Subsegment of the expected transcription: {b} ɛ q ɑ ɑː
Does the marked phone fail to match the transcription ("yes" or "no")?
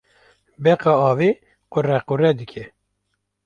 no